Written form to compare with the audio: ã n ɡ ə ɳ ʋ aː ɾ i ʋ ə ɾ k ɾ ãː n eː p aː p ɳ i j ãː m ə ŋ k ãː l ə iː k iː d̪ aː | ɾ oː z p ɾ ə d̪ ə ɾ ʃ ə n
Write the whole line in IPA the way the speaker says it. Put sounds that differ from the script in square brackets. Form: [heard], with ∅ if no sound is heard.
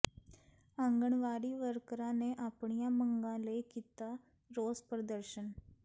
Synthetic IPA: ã [ŋ] ɡ ə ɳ ʋ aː ɾ [iː] ʋ ə ɾ k ɾ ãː n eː [ʔ] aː p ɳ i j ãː m ə ŋ [ɡ] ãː l ə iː k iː [t̪] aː | ɾ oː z p ɾ ə d̪ ə ɾ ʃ ə n

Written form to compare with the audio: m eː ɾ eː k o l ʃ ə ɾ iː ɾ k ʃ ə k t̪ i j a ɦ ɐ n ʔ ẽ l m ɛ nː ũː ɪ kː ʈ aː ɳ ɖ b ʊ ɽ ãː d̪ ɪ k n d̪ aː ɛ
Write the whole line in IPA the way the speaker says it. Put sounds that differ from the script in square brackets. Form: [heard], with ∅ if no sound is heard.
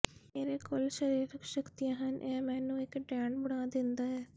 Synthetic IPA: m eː ɾ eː k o l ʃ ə ɾ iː ɾ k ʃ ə k t̪ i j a ɦ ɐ n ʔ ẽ [∅] m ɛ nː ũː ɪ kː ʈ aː ɳ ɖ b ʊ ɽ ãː d̪ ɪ [∅] n d̪ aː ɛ

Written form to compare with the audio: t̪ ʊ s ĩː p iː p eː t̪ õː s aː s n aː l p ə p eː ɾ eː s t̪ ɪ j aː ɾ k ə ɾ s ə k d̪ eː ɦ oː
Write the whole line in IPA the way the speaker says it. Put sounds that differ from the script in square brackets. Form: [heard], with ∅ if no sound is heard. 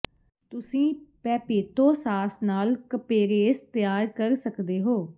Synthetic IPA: t̪ ʊ s ĩː p [ɛː] p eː t̪ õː s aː s n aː l [k] ə p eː ɾ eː s t̪ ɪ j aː ɾ k ə ɾ s ə k d̪ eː ɦ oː

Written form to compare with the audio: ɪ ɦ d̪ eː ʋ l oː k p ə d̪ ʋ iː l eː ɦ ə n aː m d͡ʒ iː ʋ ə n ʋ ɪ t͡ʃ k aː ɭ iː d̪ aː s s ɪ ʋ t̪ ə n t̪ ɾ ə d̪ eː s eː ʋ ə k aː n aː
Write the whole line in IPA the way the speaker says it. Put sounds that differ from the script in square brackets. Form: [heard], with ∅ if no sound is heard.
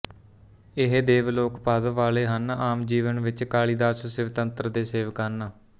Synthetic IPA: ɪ ɦ d̪ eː ʋ l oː k p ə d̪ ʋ [aː] l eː ɦ ə n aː m d͡ʒ iː ʋ ə n ʋ ɪ t͡ʃ k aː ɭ iː d̪ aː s s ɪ ʋ t̪ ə n t̪ ɾ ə d̪ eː s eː ʋ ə k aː n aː

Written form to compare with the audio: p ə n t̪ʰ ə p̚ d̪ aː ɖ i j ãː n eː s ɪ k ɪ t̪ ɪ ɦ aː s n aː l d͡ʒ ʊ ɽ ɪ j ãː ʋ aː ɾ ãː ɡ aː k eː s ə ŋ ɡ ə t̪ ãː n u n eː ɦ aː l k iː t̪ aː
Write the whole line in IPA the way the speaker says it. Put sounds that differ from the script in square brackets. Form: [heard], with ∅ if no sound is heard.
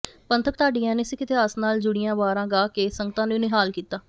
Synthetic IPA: p ə n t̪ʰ ə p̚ [t̪] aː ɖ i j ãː n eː s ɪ k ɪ t̪ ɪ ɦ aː s n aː l d͡ʒ ʊ ɽ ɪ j ãː ʋ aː ɾ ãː ɡ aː k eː s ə ŋ ɡ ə t̪ ãː n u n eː ɦ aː l k iː t̪ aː

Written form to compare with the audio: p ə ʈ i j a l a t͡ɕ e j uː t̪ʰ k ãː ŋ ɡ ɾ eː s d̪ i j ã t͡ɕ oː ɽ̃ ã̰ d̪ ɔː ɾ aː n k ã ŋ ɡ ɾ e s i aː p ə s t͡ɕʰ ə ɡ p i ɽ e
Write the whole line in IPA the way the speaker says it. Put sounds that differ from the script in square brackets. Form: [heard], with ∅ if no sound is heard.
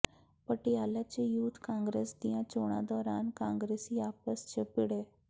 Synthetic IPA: p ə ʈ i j a l a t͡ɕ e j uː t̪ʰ k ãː ŋ ɡ ɾ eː s d̪ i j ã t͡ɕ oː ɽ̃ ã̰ d̪ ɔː ɾ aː n k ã ŋ ɡ ɾ e s i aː p ə s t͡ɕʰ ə [∅] p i ɽ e

